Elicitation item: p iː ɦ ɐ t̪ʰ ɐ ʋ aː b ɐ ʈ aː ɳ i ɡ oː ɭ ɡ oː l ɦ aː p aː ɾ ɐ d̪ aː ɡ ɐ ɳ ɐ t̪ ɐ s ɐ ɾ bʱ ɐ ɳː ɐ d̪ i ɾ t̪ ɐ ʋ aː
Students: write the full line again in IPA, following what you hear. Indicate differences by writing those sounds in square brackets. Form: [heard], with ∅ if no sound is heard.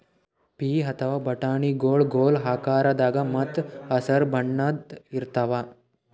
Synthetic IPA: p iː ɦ ɐ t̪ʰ ɐ ʋ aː b ɐ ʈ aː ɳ i ɡ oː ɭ ɡ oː l ɦ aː [k] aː ɾ ɐ d̪ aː ɡ ɐ [m] ɐ t̪ ɐ s ɐ ɾ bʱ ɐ ɳː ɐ d̪ i ɾ t̪ ɐ ʋ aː